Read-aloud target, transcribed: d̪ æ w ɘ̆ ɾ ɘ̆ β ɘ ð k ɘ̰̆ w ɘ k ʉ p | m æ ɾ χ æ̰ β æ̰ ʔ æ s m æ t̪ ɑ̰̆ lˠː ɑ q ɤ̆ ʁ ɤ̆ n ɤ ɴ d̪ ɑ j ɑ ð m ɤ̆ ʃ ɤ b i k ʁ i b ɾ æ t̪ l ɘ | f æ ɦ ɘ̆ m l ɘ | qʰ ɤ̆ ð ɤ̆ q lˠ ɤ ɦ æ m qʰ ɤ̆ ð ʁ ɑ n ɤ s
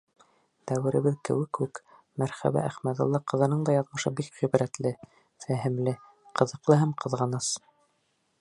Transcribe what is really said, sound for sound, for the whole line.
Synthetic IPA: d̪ æ w ɘ̆ ɾ ɘ̆ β ɘ ð k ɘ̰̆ w ɘ k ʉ k | m æ ɾ χ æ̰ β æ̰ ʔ æ χ m æ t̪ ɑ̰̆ lˠː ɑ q ɤ̆ ð ɤ̆ n ɤ ɴ d̪ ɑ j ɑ ð m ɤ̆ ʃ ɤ b i k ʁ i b ɾ æ t̪ l ɘ | f æ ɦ ɘ̆ m l ɘ | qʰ ɤ̆ ð ɤ̆ q lˠ ɤ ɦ æ m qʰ ɤ̆ ð ʁ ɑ n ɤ s